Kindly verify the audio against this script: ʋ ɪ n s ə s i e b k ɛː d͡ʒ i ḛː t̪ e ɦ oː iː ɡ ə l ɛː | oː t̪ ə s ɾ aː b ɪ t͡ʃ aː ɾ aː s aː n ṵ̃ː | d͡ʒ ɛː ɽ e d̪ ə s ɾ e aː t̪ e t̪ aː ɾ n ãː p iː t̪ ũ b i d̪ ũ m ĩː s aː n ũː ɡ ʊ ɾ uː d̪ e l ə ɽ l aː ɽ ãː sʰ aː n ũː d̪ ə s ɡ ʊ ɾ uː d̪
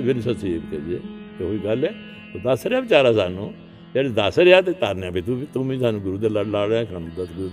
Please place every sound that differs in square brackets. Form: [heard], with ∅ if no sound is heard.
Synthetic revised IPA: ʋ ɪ n s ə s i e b k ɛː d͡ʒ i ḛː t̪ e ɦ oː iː ɡ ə l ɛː | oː [d̪] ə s ɾ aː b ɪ t͡ʃ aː ɾ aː s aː n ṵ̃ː | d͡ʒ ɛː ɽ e d̪ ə s ɾ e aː t̪ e t̪ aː ɾ n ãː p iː t̪ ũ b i [t̪] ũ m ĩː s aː n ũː ɡ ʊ ɾ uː d̪ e l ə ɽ l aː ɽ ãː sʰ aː n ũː d̪ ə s ɡ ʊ ɾ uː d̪